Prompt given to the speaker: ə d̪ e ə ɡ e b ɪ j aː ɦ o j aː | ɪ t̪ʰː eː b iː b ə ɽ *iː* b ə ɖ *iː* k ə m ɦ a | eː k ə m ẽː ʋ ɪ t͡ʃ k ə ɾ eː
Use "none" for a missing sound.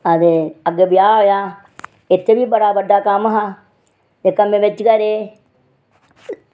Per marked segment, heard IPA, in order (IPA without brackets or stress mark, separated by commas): aː, aː